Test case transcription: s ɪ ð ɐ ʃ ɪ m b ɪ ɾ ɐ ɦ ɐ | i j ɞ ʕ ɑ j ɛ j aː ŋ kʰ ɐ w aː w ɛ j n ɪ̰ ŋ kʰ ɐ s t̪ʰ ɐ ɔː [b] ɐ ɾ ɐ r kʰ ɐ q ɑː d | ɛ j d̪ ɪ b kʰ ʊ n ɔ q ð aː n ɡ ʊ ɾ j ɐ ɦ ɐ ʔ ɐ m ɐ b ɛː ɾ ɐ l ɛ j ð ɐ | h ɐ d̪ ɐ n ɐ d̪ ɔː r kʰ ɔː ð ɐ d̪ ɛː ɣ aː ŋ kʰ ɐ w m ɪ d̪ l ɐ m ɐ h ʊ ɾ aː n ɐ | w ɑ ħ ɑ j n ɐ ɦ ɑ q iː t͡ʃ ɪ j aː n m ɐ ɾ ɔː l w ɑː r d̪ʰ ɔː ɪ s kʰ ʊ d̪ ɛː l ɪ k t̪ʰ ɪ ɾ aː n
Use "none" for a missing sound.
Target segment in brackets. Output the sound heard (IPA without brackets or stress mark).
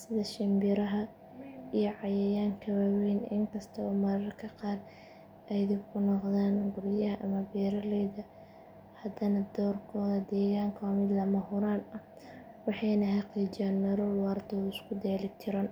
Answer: m